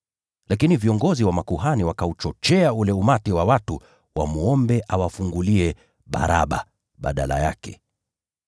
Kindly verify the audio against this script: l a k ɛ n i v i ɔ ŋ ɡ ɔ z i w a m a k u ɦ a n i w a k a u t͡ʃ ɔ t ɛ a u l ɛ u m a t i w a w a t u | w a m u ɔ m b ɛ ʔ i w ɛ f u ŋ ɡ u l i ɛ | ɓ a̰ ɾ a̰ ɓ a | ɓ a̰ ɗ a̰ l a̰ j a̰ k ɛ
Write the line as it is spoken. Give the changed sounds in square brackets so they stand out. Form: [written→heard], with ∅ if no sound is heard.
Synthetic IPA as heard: l a k [ɛ→i] n i v i ɔ ŋ ɡ ɔ z i w a m a k u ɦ a n i w a k a u t͡ʃ ɔ [t→t͡ʃ] ɛ a u l ɛ u m a t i w a w a t u | w a m u ɔ m b ɛ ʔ [i→a] w [ɛ→a] f u ŋ ɡ u l i ɛ | ɓ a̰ ɾ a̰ ɓ a | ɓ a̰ ɗ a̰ l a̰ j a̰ k ɛ